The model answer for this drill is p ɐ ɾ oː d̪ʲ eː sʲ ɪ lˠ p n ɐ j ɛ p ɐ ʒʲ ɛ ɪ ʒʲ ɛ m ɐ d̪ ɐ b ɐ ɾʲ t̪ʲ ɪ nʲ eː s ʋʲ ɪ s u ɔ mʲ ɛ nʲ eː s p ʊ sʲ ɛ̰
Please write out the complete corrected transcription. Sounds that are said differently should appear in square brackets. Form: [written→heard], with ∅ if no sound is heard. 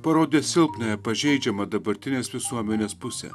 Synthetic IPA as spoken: p ɐ ɾ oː d̪ʲ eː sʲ ɪ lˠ p n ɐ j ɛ p ɐ ʒʲ ɛ ɪ [ʒʲ→d͡ʒʲ] ɛ m ɐ d̪ ɐ b ɐ ɾʲ t̪ʲ ɪ nʲ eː s ʋʲ ɪ s u ɔ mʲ ɛ nʲ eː s p ʊ sʲ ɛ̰